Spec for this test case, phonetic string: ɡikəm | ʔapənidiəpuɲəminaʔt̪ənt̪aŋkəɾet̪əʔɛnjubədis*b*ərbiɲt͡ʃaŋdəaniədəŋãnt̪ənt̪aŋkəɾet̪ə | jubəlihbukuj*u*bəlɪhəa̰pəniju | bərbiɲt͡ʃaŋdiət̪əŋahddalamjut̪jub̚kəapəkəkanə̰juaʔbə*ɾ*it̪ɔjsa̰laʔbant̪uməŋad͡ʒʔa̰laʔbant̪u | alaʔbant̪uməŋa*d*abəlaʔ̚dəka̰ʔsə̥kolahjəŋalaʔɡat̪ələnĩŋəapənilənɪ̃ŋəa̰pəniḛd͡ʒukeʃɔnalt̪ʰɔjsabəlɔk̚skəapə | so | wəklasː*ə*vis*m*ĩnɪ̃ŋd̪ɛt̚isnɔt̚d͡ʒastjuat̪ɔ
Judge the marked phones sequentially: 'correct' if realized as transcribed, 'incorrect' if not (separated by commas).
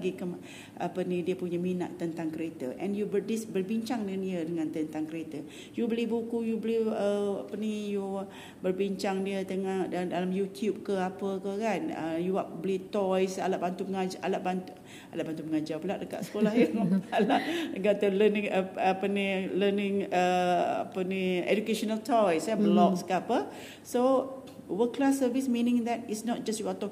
correct, correct, incorrect, incorrect, correct, correct